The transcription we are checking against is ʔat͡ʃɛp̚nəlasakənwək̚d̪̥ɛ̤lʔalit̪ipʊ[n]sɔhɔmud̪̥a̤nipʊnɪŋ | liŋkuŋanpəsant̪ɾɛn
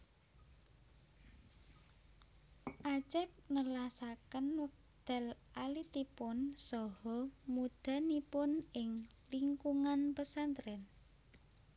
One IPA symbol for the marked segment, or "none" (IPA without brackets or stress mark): n